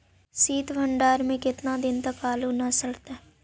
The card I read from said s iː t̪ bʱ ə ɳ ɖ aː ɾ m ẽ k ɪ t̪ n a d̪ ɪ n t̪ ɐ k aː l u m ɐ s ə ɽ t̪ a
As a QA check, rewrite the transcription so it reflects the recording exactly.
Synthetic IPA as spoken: s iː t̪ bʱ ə ɳ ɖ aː ɾ m ẽ k ɪ t̪ n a d̪ ɪ n t̪ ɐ k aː l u n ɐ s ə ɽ t̪ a